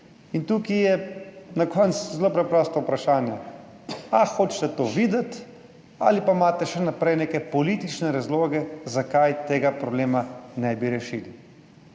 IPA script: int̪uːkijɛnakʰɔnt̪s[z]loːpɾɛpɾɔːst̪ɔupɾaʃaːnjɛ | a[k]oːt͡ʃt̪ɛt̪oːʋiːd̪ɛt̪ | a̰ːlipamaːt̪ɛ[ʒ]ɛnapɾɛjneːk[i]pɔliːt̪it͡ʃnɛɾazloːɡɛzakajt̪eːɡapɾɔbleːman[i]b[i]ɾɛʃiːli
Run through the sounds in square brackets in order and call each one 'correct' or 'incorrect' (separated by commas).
correct, incorrect, incorrect, incorrect, incorrect, correct